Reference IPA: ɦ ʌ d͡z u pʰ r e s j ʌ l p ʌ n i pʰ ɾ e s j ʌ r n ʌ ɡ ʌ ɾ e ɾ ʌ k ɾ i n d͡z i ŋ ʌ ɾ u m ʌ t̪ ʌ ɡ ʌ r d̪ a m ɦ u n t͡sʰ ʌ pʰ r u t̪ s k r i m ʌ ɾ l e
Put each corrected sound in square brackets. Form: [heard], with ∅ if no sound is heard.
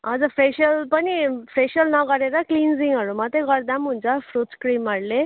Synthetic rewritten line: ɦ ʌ d͡z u pʰ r e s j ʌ l p ʌ n i pʰ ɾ e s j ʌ [l] n ʌ ɡ ʌ ɾ e ɾ ʌ k [l] i n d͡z i ŋ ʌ ɾ u m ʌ t̪ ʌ ɡ ʌ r d̪ a m ɦ u n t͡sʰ ʌ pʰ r u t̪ s k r i m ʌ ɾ l e